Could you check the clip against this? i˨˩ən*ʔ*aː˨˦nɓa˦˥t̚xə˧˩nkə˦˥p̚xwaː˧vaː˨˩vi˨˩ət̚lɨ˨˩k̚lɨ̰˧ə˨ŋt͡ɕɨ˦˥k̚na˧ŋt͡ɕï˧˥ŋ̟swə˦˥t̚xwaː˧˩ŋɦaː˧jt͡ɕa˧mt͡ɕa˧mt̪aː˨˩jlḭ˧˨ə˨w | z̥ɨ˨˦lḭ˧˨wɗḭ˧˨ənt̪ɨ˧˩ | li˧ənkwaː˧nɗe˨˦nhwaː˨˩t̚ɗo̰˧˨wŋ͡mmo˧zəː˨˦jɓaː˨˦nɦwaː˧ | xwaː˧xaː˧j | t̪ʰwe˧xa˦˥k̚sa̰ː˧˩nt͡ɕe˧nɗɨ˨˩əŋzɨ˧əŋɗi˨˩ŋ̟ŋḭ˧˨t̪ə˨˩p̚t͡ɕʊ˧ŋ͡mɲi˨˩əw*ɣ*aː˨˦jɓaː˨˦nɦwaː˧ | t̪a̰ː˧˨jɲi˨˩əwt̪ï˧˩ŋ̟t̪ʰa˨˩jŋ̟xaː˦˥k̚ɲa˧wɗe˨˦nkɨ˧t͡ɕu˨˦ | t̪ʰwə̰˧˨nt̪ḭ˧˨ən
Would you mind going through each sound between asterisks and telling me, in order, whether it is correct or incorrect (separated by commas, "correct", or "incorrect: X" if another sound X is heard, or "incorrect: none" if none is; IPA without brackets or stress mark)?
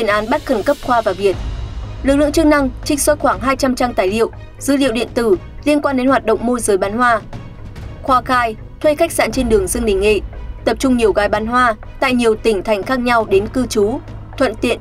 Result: correct, correct